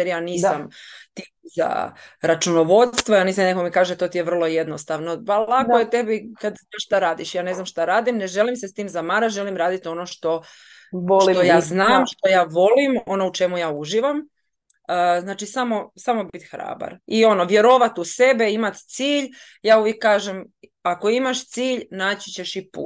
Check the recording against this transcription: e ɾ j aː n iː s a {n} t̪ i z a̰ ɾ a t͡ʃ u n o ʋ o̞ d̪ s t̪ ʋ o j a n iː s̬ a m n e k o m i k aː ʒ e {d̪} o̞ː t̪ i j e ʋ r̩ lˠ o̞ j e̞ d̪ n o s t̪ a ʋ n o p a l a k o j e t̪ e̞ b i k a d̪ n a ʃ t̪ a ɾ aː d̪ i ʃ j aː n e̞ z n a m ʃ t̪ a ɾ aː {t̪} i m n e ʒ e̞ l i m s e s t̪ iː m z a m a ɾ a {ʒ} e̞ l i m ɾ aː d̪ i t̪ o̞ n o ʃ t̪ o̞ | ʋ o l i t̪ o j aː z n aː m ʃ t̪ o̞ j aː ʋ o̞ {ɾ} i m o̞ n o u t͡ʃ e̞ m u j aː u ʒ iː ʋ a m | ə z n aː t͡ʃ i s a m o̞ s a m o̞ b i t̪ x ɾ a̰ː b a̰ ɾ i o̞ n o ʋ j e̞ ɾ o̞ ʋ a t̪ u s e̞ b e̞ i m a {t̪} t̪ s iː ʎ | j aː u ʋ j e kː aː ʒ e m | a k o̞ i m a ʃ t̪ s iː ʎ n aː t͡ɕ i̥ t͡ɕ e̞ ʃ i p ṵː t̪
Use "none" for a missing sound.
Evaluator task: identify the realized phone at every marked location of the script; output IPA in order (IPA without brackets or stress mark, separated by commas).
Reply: m, t̪, d̪, ʒ, l, t̪